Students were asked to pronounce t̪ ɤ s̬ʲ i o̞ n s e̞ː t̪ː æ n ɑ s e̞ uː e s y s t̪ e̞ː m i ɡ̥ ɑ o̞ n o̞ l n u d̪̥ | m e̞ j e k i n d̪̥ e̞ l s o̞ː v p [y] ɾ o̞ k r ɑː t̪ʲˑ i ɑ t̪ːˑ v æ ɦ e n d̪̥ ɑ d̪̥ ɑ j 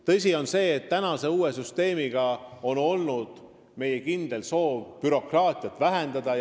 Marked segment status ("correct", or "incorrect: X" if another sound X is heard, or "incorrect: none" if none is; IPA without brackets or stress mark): correct